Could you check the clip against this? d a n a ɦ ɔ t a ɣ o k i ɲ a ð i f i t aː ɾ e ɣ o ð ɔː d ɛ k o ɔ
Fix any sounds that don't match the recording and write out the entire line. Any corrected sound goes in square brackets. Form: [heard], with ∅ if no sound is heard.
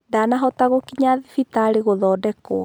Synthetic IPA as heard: d a n a ɦ ɔ t a ɣ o k i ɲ a ð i f i t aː ɾ e ɣ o ð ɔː d ɛ k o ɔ

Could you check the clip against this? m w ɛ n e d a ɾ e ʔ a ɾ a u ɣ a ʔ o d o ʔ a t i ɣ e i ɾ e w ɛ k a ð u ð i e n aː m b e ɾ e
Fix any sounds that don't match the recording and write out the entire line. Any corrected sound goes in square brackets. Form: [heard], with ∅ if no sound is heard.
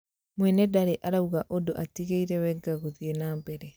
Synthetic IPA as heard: m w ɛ n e d a ɾ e ʔ a ɾ a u ɣ a ʔ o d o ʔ a t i ɣ e i ɾ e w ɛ [ɡ] a [ɣ] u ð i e n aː m b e ɾ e

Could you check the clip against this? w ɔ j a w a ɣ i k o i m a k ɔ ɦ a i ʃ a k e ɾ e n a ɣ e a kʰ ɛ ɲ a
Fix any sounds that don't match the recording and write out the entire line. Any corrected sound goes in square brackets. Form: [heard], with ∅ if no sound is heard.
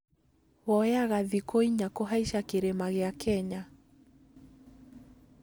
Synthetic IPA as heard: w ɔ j a [ɣ] a [ð] i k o i [ɲ] a k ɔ ɦ a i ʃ a k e ɾ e [m] a ɣ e a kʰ ɛ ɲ a

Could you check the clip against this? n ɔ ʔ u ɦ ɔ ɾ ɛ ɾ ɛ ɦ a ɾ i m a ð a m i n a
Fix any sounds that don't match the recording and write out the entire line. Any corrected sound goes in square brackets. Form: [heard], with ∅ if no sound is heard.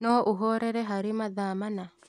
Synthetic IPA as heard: n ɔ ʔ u ɦ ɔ ɾ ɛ ɾ ɛ ɦ a ɾ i m a ð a m [a] n a

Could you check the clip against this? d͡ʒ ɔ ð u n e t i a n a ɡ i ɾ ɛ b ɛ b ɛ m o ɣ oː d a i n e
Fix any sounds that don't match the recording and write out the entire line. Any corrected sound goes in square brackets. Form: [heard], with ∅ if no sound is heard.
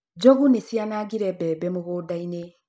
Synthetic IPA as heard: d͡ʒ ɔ [ɣ] u n e [s] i a n a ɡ i ɾ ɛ b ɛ b ɛ m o ɣ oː d a i n e

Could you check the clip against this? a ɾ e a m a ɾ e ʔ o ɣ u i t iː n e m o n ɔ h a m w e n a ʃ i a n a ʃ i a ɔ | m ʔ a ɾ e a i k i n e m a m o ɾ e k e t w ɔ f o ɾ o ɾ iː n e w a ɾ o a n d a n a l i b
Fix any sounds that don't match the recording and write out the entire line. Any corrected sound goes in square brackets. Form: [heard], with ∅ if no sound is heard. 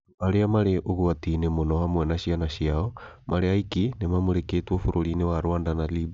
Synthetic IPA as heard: a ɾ e a m a ɾ e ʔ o ɣ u [a] t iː n e m o n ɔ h a m w [ɛ] n a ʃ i a n a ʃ i a ɔ | m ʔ a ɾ e a i k i n e m a m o ɾ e k e t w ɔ f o ɾ o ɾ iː n e w a ɾ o a n d a n a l i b

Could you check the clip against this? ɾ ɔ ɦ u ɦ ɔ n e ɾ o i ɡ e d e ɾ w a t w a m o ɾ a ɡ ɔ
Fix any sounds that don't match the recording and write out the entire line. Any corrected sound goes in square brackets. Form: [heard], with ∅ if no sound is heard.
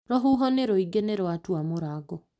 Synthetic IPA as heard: ɾ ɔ ɦ u ɦ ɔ n e ɾ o i ɡ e [n] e ɾ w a t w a m o ɾ a ɡ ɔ

